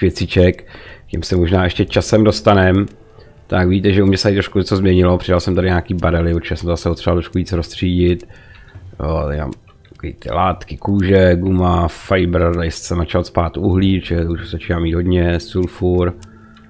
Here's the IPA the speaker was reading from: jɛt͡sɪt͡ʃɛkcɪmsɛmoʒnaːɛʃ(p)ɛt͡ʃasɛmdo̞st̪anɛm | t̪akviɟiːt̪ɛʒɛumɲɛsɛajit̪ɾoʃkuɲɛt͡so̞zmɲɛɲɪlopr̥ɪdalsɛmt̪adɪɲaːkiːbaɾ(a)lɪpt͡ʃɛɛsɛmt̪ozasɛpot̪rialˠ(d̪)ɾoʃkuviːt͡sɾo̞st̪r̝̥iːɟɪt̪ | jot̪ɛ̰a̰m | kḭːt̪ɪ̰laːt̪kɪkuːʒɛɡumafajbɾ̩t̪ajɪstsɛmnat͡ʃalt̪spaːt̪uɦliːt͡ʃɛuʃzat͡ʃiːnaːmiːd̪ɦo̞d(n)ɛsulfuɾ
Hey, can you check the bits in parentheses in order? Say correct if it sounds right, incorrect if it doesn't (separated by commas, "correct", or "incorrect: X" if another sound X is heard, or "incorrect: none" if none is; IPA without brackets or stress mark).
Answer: incorrect: c, incorrect: ɛ, incorrect: t̪, incorrect: ɲ